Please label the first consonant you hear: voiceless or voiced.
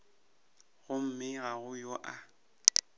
voiced